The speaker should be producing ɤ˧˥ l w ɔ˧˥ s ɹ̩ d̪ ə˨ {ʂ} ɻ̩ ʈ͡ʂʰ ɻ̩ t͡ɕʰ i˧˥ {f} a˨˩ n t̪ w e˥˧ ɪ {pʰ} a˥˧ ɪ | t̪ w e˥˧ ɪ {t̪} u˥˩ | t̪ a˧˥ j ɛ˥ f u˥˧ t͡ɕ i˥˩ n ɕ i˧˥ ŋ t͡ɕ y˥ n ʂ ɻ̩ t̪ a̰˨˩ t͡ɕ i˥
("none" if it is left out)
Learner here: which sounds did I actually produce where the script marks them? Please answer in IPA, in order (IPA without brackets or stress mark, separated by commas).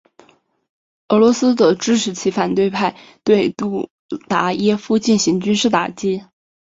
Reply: ʈ͡ʂ, f, pʰ, t̪